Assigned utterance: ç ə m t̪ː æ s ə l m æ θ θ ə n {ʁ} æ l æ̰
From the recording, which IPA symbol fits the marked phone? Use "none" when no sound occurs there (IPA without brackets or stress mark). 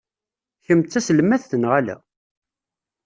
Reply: ʁ